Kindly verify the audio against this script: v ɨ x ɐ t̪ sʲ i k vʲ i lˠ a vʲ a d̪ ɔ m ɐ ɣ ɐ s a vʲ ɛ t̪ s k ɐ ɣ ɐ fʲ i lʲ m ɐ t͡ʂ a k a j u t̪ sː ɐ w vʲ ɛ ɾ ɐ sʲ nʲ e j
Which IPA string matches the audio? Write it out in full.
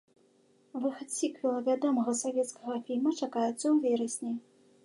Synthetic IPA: v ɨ x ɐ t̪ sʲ i k vʲ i lˠ ɐ vʲ a d̪ ɔ m ɐ ɣ ɐ s a vʲ ɛ t̪ s k ɐ ɣ ɐ fʲ i lʲ m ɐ t͡ʂ a k a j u t̪ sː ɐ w vʲ ɛ ɾ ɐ sʲ nʲ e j